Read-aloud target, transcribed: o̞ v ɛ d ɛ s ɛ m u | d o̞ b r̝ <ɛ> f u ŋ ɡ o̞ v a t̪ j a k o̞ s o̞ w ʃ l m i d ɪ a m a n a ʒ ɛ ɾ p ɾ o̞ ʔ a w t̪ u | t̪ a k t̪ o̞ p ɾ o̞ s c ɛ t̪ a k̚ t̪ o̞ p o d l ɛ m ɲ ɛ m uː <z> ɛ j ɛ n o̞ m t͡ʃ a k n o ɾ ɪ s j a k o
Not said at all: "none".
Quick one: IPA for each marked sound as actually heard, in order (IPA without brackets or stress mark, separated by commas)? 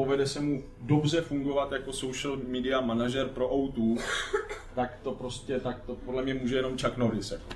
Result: ɛ, ʒ